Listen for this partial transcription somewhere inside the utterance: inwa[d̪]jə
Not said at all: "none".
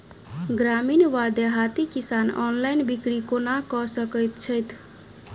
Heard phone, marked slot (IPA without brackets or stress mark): d̪